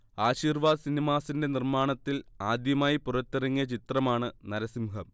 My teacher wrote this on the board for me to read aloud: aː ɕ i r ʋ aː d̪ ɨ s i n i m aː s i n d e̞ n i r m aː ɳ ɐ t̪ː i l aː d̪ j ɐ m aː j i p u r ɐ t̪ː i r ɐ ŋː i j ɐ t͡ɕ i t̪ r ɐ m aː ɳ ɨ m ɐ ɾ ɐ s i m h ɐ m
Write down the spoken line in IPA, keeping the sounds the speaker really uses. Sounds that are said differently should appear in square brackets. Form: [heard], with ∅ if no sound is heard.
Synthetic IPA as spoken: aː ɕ [iː] r ʋ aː d̪ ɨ s i n i m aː s i n d e̞ n i r m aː ɳ ɐ t̪ː i l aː d̪ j ɐ m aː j i p u r ɐ t̪ː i r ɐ ŋː i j ɐ t͡ɕ i t̪ r ɐ m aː ɳ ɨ [n] ɐ ɾ ɐ s i m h ɐ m